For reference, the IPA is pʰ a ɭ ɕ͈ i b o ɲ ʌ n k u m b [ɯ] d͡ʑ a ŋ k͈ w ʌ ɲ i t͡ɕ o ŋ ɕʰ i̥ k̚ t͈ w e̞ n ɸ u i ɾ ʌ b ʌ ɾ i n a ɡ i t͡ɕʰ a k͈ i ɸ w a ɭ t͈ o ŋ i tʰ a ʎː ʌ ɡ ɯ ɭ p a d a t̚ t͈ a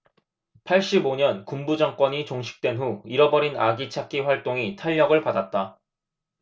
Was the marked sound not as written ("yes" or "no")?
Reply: yes